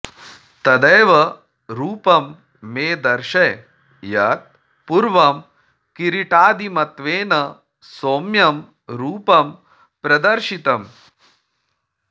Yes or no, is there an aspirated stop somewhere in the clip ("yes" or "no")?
no